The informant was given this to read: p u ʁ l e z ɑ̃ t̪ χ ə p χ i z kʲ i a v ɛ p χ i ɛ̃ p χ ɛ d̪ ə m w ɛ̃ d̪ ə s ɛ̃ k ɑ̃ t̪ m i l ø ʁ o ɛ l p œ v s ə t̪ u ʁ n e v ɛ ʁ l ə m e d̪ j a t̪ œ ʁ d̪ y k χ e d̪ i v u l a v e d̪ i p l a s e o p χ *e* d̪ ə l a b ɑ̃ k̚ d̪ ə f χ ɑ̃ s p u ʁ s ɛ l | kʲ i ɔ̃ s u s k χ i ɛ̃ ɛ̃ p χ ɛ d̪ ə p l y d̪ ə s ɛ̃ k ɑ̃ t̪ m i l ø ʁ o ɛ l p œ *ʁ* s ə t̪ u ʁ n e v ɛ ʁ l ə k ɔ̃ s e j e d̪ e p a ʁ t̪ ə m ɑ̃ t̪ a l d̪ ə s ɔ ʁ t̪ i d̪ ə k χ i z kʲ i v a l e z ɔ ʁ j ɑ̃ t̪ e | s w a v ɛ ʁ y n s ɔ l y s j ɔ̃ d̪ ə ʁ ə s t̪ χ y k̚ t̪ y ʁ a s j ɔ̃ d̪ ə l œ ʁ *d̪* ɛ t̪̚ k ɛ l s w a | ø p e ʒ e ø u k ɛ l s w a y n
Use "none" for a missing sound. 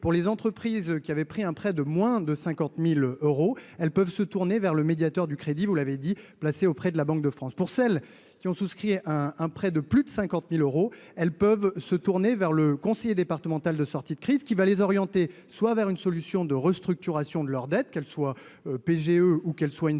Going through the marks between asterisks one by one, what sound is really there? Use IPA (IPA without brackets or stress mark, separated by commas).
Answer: ɛ, v, d̪